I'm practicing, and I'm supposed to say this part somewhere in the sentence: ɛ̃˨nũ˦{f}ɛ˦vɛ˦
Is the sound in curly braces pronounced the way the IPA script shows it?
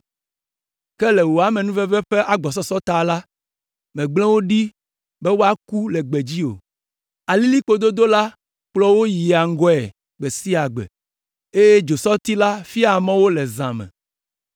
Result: no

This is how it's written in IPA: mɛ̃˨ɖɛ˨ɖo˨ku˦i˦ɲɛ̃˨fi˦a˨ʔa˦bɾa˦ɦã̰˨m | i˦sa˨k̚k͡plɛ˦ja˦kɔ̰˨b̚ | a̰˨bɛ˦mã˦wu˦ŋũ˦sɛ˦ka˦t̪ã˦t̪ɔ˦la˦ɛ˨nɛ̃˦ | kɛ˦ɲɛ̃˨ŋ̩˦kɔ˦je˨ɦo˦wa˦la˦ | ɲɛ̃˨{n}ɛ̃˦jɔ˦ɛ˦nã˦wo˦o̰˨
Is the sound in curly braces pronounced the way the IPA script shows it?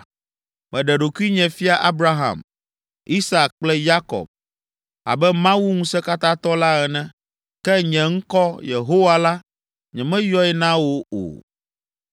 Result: no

